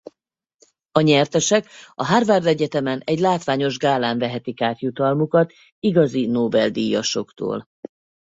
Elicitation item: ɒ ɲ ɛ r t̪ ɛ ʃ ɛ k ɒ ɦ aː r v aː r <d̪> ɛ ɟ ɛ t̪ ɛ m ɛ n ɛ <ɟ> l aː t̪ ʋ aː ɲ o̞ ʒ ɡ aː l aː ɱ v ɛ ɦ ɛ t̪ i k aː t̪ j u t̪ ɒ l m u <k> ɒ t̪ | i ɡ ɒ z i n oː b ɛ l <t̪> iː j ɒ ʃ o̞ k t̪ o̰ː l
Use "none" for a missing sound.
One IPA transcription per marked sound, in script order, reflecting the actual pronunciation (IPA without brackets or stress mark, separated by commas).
d̪, ɟ, k, d̪